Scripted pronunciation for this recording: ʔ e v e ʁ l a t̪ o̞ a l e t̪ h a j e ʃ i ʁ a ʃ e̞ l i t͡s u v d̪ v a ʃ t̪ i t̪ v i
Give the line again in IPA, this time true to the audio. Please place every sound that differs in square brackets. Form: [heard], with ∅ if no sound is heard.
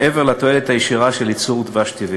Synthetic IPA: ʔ e v e ʁ l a t̪ o̞ [e] l e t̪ h a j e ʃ i ʁ a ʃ e̞ l i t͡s u [ʁ] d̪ v a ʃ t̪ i [∅] v i

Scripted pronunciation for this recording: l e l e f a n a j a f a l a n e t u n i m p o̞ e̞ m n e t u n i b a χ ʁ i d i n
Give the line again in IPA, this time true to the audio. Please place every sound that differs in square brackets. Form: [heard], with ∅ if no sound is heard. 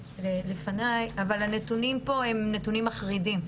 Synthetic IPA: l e l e f a n a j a [v] a l a n e t u n i m p o̞ e̞ m n e t u n i [m] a χ ʁ i d i [m]

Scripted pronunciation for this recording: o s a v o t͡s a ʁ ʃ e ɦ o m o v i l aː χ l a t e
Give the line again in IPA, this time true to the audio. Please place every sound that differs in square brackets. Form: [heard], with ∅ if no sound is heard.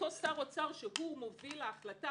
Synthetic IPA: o s a [ʁ] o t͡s a ʁ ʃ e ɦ [u] m o v i l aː χ l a t [a]

